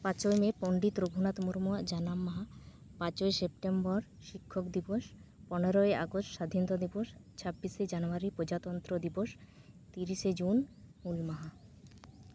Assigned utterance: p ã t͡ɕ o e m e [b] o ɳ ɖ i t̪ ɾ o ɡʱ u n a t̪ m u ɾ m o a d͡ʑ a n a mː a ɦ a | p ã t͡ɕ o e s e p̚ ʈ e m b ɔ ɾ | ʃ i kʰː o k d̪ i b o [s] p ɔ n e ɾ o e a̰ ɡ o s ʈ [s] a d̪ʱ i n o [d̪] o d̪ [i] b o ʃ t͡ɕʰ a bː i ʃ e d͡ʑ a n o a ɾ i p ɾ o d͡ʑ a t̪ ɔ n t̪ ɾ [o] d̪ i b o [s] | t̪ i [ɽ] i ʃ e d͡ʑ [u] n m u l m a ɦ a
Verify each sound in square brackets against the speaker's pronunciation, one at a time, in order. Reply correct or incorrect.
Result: incorrect, incorrect, incorrect, incorrect, correct, correct, incorrect, incorrect, correct

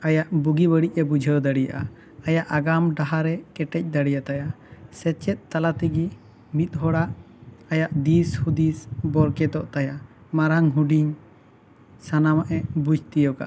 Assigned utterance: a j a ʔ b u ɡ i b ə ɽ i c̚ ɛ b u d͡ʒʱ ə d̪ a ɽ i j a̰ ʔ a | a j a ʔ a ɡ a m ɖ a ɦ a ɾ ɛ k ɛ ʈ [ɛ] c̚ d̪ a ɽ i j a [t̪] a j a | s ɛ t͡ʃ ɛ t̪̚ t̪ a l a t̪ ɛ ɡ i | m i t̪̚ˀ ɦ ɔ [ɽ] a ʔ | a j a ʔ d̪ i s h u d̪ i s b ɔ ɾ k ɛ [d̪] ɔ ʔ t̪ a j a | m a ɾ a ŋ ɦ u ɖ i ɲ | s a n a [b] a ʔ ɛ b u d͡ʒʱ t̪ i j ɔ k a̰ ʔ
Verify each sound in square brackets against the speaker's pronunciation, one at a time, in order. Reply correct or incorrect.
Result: correct, correct, correct, incorrect, incorrect

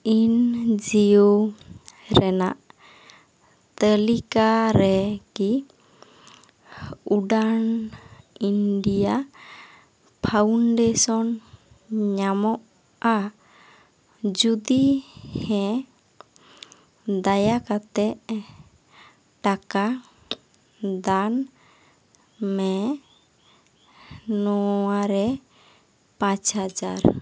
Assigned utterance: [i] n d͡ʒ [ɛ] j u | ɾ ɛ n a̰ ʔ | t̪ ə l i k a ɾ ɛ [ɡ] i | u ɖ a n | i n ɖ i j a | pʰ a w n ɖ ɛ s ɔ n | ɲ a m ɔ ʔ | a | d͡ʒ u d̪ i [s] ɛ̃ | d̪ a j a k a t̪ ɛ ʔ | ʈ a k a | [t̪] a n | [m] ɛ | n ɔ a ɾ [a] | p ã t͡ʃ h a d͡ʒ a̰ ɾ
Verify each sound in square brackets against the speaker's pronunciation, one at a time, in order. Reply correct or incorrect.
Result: correct, incorrect, incorrect, incorrect, incorrect, correct, incorrect

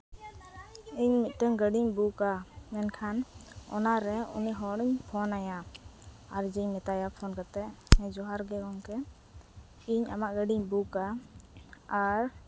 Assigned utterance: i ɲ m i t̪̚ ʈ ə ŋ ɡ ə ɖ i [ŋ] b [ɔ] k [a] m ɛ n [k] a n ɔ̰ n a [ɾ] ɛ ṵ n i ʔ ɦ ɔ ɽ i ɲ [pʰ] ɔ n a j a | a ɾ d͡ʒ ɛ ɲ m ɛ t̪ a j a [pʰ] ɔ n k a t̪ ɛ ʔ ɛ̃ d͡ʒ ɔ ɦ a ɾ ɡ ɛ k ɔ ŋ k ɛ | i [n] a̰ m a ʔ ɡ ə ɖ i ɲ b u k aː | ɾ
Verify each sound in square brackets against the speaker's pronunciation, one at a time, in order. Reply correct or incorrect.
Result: incorrect, incorrect, correct, incorrect, correct, correct, correct, incorrect

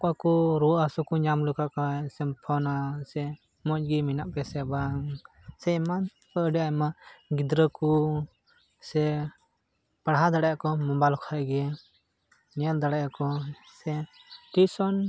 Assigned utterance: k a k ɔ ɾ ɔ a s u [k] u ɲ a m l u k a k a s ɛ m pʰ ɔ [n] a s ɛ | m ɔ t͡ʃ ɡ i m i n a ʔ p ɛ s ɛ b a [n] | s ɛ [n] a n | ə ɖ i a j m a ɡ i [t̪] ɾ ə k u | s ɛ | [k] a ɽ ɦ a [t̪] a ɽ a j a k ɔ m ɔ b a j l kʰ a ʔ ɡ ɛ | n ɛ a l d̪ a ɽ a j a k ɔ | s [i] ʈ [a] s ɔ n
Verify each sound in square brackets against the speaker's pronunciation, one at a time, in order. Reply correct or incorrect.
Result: correct, correct, incorrect, incorrect, incorrect, incorrect, incorrect, incorrect, incorrect

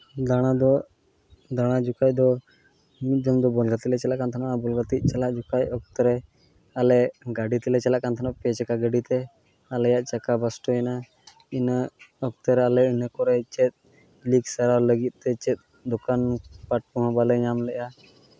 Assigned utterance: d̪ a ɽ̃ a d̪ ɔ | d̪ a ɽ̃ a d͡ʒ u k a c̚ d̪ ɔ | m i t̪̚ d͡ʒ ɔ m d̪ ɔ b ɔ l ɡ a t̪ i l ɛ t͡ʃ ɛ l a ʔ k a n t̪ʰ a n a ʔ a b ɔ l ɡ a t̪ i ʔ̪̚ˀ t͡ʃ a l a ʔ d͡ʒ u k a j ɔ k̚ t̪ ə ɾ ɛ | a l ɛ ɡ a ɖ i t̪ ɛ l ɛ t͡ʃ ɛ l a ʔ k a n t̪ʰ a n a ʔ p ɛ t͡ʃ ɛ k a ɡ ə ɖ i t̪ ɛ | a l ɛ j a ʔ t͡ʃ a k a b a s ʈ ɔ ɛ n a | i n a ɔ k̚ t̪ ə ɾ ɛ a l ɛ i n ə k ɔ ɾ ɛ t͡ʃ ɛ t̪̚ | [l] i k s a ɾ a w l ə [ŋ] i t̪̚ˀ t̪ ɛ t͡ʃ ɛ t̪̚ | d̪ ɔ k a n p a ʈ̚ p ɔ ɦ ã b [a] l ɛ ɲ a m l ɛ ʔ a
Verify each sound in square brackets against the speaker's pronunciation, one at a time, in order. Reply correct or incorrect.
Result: correct, incorrect, correct

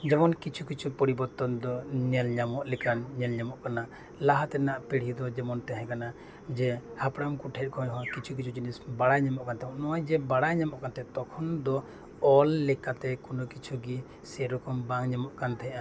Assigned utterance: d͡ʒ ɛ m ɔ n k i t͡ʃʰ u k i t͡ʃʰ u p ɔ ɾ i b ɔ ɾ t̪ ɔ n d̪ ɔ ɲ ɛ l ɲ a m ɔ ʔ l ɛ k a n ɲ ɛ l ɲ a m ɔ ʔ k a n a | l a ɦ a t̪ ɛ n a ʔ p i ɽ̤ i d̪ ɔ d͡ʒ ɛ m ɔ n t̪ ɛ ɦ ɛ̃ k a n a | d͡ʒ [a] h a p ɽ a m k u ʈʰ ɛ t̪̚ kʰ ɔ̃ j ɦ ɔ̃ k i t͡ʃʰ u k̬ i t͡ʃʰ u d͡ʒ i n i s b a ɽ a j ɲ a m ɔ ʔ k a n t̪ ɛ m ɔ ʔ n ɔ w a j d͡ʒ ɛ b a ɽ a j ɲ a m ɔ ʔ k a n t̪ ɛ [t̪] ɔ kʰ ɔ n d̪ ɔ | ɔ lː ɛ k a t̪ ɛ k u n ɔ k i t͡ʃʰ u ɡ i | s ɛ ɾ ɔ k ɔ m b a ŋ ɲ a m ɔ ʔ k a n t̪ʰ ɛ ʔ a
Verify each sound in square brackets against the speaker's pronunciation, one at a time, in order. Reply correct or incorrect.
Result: incorrect, correct

